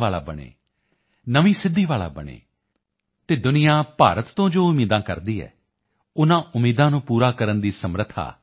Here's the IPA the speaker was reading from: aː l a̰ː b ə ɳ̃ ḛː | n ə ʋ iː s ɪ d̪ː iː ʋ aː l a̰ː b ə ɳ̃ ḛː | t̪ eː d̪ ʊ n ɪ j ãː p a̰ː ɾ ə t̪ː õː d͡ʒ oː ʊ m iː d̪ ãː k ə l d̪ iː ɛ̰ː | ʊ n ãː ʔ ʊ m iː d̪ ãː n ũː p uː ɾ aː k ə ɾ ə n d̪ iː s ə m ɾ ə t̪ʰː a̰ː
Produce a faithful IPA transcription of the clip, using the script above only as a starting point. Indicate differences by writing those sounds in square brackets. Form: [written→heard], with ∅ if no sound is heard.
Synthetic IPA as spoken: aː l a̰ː b ə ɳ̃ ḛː | n ə ʋ iː s ɪ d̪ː iː ʋ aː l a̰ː b ə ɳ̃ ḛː | t̪ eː d̪ ʊ n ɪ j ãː p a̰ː ɾ ə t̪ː õː d͡ʒ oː ʊ m iː d̪ ãː k ə [l→ɾ] d̪ iː ɛ̰ː | ʊ n ãː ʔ ʊ m iː d̪ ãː n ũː p uː ɾ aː k ə ɾ ə n d̪ iː s ə m ɾ ə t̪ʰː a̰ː

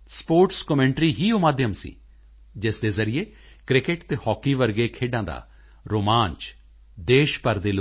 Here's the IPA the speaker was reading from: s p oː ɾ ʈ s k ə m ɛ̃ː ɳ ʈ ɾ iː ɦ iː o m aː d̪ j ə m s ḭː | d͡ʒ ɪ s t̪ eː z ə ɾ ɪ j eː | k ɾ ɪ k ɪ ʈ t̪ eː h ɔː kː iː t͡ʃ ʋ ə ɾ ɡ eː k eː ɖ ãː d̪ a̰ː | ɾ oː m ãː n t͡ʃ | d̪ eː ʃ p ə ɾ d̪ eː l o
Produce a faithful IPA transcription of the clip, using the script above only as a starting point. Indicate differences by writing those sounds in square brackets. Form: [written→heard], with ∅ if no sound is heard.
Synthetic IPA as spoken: s p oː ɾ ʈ s k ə m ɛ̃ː ɳ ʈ ɾ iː ɦ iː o m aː d̪ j ə m s ḭː | d͡ʒ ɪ s [t̪→d̪] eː z ə ɾ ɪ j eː | k ɾ ɪ k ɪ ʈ t̪ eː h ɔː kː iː [t͡ʃ→∅] ʋ ə ɾ ɡ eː [k→kʰ] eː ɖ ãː d̪ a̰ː | ɾ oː m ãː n t͡ʃ | d̪ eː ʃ p ə ɾ d̪ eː l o

